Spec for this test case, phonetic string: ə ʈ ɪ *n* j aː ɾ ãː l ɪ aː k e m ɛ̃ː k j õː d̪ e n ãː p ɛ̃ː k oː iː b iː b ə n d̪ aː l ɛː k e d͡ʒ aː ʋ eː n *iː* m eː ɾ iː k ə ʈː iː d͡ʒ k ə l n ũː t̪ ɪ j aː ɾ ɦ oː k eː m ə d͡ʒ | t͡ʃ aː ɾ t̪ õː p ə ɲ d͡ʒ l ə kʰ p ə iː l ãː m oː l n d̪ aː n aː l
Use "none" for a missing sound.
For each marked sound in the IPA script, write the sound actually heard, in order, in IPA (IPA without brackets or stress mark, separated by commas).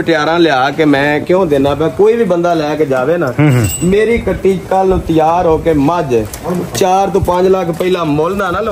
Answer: none, aː